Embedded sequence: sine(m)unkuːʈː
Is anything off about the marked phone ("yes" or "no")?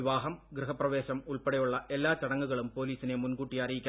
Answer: no